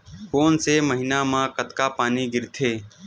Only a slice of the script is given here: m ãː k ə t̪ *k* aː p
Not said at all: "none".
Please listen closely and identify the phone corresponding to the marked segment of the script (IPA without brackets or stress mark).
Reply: k